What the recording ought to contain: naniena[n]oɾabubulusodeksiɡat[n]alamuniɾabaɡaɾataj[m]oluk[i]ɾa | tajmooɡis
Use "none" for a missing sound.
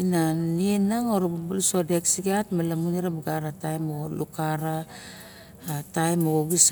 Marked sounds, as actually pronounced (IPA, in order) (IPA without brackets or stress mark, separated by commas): ŋ, m, m, a